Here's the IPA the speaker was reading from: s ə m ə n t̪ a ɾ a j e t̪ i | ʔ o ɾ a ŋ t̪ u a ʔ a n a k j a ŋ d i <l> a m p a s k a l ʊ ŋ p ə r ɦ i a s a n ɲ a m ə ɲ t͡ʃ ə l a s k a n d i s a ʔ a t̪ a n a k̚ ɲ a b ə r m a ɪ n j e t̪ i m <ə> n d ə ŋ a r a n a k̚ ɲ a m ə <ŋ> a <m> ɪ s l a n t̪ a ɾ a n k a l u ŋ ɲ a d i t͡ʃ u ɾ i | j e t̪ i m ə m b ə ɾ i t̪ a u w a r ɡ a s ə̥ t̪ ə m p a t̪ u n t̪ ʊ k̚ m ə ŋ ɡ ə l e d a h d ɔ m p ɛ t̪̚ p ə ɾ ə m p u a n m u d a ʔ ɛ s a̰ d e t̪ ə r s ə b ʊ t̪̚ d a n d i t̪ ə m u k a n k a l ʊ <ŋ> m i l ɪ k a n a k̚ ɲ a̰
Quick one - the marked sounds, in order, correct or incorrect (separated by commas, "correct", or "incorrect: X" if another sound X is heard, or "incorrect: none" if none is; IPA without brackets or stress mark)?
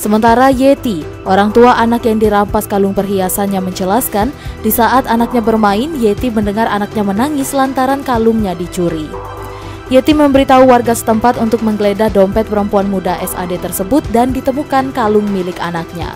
incorrect: ɾ, correct, incorrect: n, incorrect: ŋ, correct